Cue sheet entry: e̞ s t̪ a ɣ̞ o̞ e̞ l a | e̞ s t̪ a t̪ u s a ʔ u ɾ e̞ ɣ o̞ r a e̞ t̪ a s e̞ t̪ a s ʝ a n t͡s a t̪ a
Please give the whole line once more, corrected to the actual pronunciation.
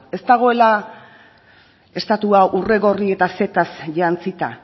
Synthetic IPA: e̞ s t̪ a ɣ̞ o̞ e̞ l a | e̞ s t̪ a t̪ u a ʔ u r e̞ ɣ o̞ r i e̞ t̪ a s e̞ t̪ a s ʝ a n t͡s i t̪ a